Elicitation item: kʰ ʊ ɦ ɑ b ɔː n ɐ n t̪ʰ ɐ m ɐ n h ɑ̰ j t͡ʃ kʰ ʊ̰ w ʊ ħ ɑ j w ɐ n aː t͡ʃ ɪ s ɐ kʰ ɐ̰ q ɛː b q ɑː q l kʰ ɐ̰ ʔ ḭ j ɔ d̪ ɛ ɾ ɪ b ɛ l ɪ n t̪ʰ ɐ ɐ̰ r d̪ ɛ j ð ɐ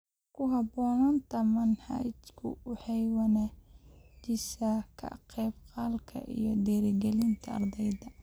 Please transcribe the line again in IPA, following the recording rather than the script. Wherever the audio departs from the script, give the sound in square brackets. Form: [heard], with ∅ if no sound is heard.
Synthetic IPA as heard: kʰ ʊ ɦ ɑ b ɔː n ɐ n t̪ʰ ɐ m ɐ n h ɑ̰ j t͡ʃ kʰ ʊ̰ w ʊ ħ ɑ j w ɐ n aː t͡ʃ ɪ s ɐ kʰ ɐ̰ q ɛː b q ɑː [∅] l kʰ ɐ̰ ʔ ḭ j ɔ d̪ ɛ ɾ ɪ [ɡ] ɛ l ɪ n t̪ʰ ɐ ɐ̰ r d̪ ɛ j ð ɐ